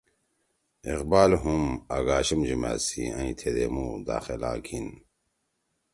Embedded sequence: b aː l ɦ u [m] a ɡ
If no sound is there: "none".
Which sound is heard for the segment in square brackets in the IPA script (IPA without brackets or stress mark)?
m